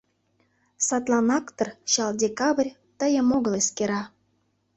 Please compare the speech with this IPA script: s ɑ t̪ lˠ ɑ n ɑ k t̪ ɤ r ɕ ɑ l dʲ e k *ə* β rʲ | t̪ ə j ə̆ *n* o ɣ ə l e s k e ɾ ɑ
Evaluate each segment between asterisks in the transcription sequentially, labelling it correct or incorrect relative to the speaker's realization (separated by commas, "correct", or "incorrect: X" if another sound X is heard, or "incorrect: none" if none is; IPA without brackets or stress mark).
incorrect: ɑ, incorrect: m